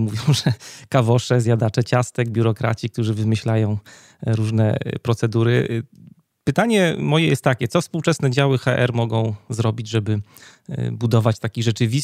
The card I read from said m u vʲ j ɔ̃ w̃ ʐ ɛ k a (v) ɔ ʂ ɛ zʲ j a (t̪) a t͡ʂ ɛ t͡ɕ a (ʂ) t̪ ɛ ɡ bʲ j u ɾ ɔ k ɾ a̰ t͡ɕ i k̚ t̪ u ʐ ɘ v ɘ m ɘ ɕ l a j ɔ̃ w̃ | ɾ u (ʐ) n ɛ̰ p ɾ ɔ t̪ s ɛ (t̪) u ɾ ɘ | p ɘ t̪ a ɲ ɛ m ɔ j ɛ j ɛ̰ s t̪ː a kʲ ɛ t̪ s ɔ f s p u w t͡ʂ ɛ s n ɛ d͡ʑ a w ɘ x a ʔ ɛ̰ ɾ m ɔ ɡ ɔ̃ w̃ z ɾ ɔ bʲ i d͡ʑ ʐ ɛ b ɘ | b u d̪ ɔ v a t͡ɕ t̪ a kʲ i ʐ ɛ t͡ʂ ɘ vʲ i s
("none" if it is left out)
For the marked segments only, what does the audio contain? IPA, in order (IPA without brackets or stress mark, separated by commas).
v, d̪, s, ʐ, d̪